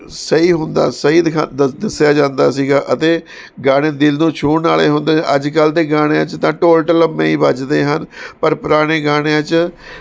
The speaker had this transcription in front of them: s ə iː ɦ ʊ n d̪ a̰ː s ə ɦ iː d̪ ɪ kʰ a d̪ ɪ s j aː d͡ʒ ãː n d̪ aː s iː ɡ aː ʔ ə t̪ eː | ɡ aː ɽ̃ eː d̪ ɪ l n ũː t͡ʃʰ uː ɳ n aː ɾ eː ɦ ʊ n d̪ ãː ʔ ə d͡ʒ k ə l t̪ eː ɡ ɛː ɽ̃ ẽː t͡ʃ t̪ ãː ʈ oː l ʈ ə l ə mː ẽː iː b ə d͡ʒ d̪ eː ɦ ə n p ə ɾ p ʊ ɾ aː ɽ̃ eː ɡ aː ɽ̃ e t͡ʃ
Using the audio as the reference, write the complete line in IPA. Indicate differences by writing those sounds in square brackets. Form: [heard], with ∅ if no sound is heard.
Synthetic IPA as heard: s ə iː ɦ ʊ n d̪ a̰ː s ə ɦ iː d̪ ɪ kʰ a d̪ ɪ s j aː d͡ʒ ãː n d̪ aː s iː ɡ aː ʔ ə t̪ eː | ɡ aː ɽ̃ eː d̪ ɪ l n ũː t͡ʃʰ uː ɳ n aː [l] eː ɦ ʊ n d̪ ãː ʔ ə d͡ʒ k ə l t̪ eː ɡ [aː] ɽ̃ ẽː t͡ʃ t̪ ãː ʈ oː l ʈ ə l ə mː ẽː iː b ə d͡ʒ d̪ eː ɦ ə n p ə ɾ p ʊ ɾ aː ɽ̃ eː ɡ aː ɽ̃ e t͡ʃ